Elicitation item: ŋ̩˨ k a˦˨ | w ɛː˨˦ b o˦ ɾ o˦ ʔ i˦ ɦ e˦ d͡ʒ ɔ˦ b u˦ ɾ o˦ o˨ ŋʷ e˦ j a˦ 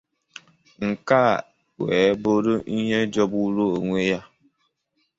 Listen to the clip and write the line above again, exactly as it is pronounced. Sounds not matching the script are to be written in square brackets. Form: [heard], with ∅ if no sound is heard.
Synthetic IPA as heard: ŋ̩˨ k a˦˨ | w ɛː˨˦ b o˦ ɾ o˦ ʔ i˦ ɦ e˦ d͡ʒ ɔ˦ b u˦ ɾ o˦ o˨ ŋʷ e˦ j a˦